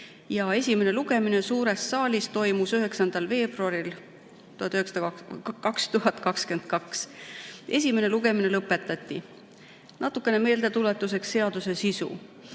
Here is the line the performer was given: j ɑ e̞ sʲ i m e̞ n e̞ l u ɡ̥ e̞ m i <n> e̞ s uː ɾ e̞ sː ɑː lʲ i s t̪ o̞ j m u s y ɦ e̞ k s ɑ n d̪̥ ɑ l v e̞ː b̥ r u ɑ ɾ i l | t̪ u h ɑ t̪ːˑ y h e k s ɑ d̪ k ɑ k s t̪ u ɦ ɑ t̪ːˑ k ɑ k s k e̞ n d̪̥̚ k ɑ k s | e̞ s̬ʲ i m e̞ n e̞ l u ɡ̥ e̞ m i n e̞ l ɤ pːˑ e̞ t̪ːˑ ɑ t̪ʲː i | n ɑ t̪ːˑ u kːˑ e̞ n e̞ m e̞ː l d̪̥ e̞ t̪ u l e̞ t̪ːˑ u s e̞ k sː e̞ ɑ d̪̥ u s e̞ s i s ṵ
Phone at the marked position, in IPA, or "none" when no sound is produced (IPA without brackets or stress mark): n